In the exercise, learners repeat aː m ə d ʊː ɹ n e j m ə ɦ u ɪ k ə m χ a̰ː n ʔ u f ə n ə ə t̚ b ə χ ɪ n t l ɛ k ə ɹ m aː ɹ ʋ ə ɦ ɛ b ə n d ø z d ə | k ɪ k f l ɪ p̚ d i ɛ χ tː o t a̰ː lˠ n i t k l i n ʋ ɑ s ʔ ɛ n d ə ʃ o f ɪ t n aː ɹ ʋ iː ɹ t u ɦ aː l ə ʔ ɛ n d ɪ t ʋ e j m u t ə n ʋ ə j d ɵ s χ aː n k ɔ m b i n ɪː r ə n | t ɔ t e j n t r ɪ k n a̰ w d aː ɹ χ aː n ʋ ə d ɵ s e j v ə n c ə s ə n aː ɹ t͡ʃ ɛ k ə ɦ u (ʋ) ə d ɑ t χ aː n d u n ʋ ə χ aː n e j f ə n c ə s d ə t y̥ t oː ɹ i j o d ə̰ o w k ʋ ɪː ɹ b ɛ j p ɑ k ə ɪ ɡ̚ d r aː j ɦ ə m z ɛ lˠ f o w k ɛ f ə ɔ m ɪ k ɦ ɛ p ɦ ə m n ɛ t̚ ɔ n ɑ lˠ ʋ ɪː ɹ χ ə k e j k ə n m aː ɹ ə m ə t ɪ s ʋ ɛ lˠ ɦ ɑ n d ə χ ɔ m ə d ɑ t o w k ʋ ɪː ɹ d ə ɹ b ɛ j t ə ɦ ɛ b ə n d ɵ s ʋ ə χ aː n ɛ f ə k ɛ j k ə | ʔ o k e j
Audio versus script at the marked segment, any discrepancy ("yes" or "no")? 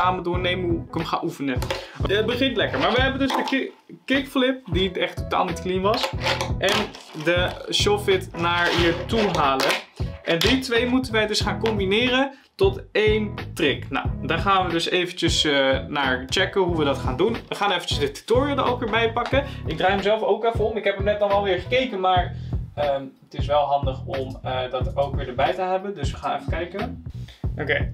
no